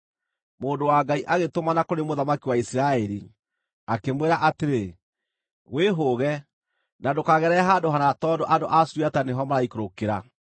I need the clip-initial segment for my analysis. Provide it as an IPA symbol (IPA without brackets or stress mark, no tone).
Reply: m